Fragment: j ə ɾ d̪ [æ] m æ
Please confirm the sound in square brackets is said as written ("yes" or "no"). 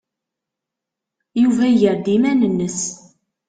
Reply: no